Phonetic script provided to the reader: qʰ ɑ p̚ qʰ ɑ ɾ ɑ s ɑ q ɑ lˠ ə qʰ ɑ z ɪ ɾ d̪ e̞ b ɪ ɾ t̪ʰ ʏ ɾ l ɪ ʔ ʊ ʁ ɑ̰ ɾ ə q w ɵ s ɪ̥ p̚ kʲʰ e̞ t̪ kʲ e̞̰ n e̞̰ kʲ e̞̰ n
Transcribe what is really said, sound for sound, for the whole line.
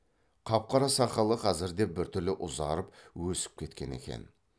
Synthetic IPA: qʰ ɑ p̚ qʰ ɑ ɾ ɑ s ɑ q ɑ lˠ ə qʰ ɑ z ɪ ɾ d̪ e̞ b ɪ ɾ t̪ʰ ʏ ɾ l ɪ ʔ ʊ z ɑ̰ ɾ ə p w ɵ s ɪ̥ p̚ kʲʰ e̞ t̪ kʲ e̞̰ n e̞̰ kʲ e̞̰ n

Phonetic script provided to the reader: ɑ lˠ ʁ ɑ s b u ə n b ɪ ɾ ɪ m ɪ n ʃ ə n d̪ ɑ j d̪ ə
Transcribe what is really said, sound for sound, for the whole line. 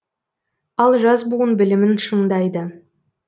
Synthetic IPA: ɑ lˠ ʒ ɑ z b u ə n b ɪ l ɪ m ɪ n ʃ ə ɴ d̪ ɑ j d̪ ə

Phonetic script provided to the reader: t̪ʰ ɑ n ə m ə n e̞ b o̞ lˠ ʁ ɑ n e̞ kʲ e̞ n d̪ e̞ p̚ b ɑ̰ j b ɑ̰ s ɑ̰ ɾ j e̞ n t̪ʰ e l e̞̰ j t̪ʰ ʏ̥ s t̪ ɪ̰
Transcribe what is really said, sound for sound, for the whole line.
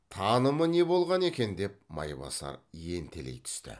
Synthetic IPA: t̪ʰ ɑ n ə m ə n e̞ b o̞ lˠ ʁ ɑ n e̞ kʲ e̞ n d̪ e̞ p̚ m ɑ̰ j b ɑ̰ s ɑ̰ ɾ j e̞ n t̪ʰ e l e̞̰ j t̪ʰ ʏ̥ s t̪ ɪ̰

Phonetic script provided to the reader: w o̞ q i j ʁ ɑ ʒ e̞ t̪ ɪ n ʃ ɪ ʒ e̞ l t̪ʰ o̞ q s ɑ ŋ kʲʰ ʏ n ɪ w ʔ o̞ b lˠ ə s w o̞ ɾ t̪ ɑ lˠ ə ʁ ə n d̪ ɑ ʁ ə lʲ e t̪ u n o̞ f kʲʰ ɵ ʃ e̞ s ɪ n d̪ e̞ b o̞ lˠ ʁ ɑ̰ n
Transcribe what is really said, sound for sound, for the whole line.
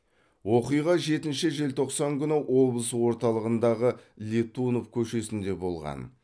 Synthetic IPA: w o̞ q i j ʁ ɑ ʒ e̞ t̪ ɪ n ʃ ɪ ʒ e̞ l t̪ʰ o̞ q s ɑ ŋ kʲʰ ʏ n ɪ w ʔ o̞ b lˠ ə s w o̞ ɾ t̪ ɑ lˠ ə ʁ ə n d̪ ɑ ʁ ə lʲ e t̪ u n o̞ f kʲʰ ɵ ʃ e̞ s ɪ n d̪ e̞ b o̞ lˠ ʁ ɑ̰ n

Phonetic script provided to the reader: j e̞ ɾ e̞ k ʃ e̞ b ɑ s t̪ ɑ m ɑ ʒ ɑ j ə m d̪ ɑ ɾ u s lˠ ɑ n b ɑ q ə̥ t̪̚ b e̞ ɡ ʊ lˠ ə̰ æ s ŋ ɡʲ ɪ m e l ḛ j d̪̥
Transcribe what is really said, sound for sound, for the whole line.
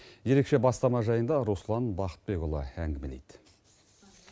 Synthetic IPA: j e̞ ɾ e̞ k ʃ e̞ b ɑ s t̪ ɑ m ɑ ʒ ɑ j ə n d̪ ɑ ɾ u s lˠ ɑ n b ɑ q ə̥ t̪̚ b e̞ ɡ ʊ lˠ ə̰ æ ŋ ɡʲ ɪ m e l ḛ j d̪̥

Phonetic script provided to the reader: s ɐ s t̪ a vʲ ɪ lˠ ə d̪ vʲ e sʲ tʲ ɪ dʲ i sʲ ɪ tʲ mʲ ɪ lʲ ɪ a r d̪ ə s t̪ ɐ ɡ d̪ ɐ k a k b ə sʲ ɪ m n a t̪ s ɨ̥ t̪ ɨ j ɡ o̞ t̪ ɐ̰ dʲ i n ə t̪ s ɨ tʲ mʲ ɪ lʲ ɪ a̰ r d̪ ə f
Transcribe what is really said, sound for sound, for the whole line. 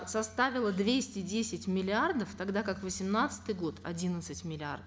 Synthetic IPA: s ɐ s t̪ a vʲ ɪ lˠ ə d̪ vʲ e sʲ tʲ ɪ dʲ e sʲ ɪ tʲ mʲ ɪ lʲ ɪ a r d̪ ə f t̪ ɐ ɡ d̪ a k a k v ə sʲ ɪ m n a t̪ s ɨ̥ t̪ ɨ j ɡ o̞ t̪ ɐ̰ dʲ i n ə t̪ s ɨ tʲ mʲ ɪ lʲ ɪ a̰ r d̪ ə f

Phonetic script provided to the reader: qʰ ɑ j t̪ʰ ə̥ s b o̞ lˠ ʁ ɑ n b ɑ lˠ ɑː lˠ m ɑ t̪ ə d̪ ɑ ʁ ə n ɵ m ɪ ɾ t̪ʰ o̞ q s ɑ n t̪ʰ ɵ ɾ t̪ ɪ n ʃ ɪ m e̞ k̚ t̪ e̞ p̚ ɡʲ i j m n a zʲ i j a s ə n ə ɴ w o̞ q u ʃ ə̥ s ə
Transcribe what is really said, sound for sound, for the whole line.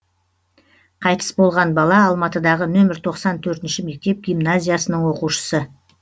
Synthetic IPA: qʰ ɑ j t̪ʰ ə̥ s b o̞ lˠ ʁ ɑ n b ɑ lˠ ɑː lˠ m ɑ t̪ ə d̪ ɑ ʁ ə n ɵ m ɪ ɾ t̪ʰ o̞ q s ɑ n t̪ʰ ɵ ɾ t̪ ɪ n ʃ ɪ m e̞ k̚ t̪ e̞ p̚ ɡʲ i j m n a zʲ i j a s ə n ə ɴ w o̞ q u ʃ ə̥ s ə

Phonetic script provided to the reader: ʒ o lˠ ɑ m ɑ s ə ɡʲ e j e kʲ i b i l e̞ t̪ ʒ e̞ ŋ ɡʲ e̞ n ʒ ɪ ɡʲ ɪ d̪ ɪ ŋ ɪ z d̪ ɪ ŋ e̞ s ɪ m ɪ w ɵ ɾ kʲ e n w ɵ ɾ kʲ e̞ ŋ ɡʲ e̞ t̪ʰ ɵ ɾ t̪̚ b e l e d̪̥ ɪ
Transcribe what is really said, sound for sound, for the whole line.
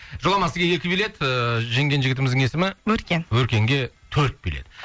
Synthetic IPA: ʒ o lˠ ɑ m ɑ s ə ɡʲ e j e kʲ ɪ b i l e̞ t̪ ʒ e̞ ŋ ɡʲ e̞ n ʒ ɪ ɡʲ ɪ t̪ ɪ m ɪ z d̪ ɪ ŋ e̞ s ɪ m ɪ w ɵ ɾ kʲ e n w ɵ ɾ kʲ e̞ ŋ ɡʲ e̞ t̪ʰ ɵ ɾ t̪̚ b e l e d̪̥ ɪ

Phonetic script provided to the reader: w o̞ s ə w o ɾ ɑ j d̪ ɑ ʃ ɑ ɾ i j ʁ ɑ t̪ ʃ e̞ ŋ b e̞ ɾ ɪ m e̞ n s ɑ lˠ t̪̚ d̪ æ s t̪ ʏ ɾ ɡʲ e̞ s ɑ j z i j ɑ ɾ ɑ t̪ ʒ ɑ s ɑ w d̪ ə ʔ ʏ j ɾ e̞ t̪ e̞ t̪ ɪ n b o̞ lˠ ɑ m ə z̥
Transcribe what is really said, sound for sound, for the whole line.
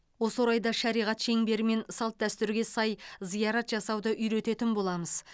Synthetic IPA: w o̞ s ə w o ɾ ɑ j d̪ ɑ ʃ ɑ ɾ i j ʁ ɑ t̪ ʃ e̞ ŋ b e̞ ɾ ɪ m e̞ n s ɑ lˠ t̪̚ d̪ æ s t̪ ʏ ɾ ɡʲ e̞ s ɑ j z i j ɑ ɾ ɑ t̪ ʒ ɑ s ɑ w d̪ ə ʔ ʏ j ɾ e̞ t̪ e̞ t̪ ɪ n b o̞ lˠ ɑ m ə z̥

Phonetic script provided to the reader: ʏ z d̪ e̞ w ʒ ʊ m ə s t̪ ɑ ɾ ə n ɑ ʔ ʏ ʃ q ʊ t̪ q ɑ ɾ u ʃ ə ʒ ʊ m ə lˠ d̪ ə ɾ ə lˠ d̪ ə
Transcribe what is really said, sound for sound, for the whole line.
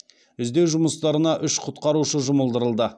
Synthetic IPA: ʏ z d̪ e̞ w ʒ ʊ m ə s t̪ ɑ ɾ ə n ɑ ʔ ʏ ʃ qʰ ʊ t̪ q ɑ ɾ u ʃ ə ʒ ʊ m ə lˠ d̪ ə ɾ ə lˠ d̪ ə

